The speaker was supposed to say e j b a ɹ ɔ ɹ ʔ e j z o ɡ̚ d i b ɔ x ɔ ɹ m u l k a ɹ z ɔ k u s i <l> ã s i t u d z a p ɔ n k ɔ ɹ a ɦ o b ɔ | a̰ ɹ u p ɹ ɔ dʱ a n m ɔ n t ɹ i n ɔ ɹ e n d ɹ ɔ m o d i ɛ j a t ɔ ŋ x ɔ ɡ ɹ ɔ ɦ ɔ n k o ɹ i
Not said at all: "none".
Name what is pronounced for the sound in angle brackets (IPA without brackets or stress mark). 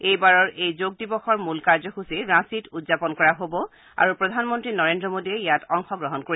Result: ɹ